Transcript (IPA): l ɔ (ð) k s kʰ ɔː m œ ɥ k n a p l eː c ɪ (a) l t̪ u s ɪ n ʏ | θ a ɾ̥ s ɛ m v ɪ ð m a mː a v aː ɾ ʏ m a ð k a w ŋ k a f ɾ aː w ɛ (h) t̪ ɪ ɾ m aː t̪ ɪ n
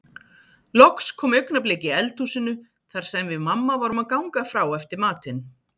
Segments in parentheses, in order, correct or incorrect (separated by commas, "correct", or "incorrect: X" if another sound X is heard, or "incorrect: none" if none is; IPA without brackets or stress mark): incorrect: none, incorrect: ɛ, incorrect: f